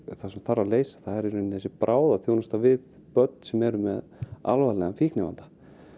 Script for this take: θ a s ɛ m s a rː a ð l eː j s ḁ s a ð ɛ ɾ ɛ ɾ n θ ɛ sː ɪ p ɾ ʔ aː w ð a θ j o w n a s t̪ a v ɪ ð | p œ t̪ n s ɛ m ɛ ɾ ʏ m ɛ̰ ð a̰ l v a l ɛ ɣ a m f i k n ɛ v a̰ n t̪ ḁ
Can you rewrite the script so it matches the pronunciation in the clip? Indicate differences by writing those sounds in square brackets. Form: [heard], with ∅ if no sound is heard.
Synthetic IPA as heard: θ a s ɛ m [θ] a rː a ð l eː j s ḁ [θ] a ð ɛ ɾ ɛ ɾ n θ ɛ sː ɪ p ɾ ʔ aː w ð a θ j o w n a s t̪ a v ɪ ð | p œ t̪ n s ɛ m ɛ ɾ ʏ m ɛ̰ ð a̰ l v a l ɛ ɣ a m f i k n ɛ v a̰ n t̪ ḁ